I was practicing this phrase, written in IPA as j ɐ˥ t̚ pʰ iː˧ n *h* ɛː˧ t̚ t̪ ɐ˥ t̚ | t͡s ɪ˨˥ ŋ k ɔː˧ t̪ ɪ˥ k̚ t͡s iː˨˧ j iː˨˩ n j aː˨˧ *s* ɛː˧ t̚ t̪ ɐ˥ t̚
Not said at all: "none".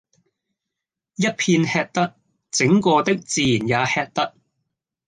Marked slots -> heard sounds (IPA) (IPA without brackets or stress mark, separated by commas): h, h